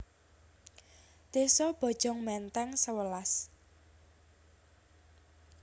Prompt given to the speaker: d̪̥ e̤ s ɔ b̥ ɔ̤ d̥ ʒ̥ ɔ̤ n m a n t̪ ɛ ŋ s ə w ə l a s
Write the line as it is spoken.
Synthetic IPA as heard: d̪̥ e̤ s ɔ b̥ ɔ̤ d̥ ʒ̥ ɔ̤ ŋ m ɛ n t̪ ɛ ŋ s ə w ə l a s